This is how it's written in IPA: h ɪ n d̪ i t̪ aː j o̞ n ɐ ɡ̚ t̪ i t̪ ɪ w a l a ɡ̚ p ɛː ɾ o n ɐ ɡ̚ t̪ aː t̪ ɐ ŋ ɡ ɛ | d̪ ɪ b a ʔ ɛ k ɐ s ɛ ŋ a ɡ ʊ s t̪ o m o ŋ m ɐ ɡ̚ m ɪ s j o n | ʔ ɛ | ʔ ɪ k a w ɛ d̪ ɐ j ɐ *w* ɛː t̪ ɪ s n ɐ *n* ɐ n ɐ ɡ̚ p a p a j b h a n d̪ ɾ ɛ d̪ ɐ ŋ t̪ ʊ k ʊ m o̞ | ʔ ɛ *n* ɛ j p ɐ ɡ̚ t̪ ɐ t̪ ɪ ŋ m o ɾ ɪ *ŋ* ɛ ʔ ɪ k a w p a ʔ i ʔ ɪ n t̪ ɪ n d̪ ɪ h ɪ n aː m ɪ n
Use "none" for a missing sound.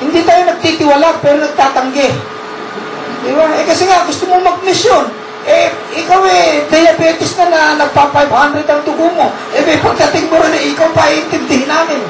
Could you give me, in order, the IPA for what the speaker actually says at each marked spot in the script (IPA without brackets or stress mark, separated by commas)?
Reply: b, n, m, n